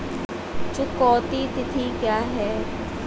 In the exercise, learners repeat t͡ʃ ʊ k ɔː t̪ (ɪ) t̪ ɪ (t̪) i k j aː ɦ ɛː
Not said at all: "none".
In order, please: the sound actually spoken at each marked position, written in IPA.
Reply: i, t̪ʰ

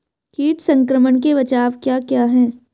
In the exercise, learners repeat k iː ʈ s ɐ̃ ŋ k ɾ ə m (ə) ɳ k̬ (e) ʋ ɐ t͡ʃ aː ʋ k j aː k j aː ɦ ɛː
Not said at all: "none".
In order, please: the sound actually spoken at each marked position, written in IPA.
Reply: ə, e

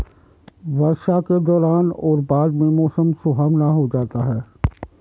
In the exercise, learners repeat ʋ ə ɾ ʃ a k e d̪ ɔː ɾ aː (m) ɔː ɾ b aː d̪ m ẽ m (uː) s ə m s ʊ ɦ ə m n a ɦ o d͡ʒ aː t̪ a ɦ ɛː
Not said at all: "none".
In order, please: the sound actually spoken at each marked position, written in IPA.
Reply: n, ɔː

